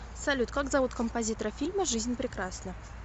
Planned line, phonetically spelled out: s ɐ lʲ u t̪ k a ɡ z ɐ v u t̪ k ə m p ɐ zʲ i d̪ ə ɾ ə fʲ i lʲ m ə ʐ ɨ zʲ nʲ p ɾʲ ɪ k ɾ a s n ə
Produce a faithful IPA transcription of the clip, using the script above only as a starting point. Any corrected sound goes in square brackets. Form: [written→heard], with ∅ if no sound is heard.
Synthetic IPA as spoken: s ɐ lʲ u t̪ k a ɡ z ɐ v u t̪ k ə m p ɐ zʲ i [d̪→t̪] ə ɾ ə fʲ i lʲ m ə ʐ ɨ zʲ nʲ p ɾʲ ɪ k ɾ a s n ə